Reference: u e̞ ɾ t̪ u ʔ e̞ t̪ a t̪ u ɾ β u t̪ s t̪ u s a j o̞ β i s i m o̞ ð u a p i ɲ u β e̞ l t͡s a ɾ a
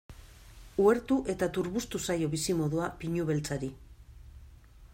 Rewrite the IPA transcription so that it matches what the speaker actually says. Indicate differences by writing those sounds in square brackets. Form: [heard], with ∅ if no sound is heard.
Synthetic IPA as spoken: u e̞ ɾ t̪ u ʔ e̞ t̪ a t̪ u ɾ β u [∅] s t̪ u s a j o̞ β i s i m o̞ ð u a p i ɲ u β e̞ l t͡s a ɾ [i]